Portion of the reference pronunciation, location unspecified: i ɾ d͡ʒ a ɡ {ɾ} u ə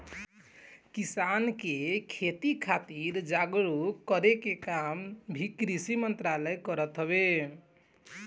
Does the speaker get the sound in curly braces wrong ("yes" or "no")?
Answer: no